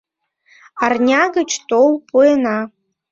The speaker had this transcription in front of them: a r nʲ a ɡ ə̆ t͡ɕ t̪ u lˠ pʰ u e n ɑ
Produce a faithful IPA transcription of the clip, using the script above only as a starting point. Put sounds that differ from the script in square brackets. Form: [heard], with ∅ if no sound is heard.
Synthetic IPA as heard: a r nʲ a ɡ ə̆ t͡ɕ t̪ [o] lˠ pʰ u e n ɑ